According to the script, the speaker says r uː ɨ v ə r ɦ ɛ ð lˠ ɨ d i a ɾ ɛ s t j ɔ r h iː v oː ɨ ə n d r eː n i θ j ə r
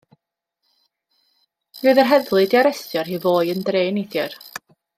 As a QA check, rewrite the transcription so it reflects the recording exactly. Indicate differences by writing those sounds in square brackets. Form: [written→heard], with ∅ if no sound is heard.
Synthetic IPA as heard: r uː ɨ [v→ð] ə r ɦ ɛ ð lˠ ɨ d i a ɾ ɛ s t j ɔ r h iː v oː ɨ ə n d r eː n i θ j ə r